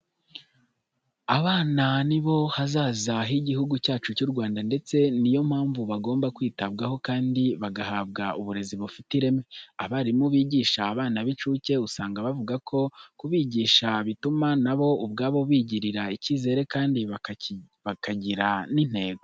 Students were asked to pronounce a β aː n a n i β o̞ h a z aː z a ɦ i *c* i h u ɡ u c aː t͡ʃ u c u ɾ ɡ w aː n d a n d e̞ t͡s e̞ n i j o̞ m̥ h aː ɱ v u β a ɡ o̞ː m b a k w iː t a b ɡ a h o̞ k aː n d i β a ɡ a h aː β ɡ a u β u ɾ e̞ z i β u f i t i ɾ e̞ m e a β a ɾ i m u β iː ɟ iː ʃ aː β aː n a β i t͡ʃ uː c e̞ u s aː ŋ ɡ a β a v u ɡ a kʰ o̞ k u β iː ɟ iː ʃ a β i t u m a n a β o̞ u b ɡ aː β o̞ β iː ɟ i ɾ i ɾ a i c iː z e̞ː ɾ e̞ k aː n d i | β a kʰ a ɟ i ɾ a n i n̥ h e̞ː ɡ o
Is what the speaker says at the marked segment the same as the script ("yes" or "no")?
no